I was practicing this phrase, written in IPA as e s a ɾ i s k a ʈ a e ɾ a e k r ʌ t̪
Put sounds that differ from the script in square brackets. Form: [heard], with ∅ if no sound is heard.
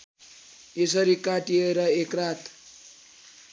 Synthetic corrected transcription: e s [ʌ] ɾ i [∅] k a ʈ [i] e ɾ [ʌ] e k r [a] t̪